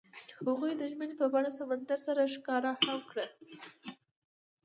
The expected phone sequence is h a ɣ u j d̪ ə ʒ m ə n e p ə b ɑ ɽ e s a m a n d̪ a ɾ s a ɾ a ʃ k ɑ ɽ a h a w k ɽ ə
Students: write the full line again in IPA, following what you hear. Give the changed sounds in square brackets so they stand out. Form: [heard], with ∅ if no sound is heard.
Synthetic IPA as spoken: h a ɣ u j d̪ ə ʒ m ə n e p ə b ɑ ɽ [a] s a m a n d̪ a ɾ s a ɾ a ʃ k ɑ [ɾ] a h a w k ɽ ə